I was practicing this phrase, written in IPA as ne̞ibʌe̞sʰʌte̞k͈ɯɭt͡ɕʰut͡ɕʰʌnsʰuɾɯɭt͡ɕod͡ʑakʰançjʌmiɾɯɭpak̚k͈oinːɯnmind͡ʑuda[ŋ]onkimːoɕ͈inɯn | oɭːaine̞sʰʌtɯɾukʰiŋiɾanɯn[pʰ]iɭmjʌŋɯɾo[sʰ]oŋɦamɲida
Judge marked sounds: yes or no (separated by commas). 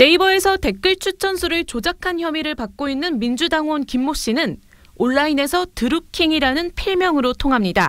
yes, yes, no